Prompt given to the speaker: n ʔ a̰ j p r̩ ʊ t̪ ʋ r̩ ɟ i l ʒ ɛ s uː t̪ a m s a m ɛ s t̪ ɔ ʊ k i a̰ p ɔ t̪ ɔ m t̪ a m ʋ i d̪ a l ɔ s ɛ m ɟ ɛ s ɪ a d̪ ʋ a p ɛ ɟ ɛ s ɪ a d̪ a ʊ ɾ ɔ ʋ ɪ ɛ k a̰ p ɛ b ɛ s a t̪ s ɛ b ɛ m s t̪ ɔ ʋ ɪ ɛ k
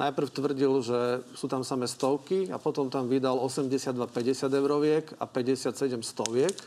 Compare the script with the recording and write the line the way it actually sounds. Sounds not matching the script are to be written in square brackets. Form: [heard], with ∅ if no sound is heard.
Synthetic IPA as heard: n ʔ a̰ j p r̩ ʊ t̪ ʋ r̩ ɟ i l ʒ ɛ s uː t̪ a m s a m ɛ s t̪ ɔ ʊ k i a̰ p ɔ t̪ ɔ m t̪ a m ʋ i d̪ a l ɔ s ɛ m ɟ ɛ s ɪ a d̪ ʋ a p ɛ ɟ ɛ s ɪ a d̪ [ɛ] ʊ ɾ ɔ ʋ ɪ ɛ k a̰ p ɛ [ɟ] ɛ s a t̪ s ɛ [ɟ] ɛ m s t̪ ɔ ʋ ɪ ɛ k